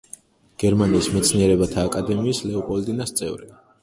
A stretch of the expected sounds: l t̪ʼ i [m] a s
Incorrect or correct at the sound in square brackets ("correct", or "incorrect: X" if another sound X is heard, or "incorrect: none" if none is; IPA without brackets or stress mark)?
incorrect: n